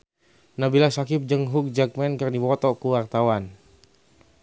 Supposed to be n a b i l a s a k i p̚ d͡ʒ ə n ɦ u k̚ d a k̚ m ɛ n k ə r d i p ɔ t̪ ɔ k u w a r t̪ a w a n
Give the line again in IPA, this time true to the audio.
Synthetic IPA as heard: n a b i l a s a k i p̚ d͡ʒ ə ŋ ɦ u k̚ d͡ʒ a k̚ m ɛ n k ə r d i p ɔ t̪ ɔ k u w a r t̪ a w a n